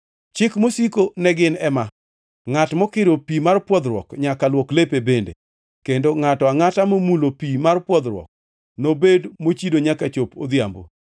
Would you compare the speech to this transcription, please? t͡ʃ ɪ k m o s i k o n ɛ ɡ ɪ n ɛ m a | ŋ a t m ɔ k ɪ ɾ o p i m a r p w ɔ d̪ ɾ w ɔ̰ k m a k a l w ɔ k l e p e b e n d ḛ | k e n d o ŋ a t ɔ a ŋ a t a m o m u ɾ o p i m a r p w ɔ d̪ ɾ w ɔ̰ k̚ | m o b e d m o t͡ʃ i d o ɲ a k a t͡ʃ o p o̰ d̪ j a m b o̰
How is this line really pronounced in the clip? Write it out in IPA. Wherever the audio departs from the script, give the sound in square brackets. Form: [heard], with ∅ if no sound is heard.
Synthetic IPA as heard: t͡ʃ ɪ k m o s i k o n ɛ ɡ ɪ n ɛ m a | ŋ a t m ɔ k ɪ ɾ o p i m a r p w ɔ d̪ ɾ w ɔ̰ k [ɲ] a k a l w ɔ k l e p e b e n d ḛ | k e n d o ŋ a t ɔ a ŋ a t a m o m u [l] o p i m a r p w ɔ d̪ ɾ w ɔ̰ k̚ | [n] o b e d m o t͡ʃ i d o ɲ a k a t͡ʃ o p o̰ d̪ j a m b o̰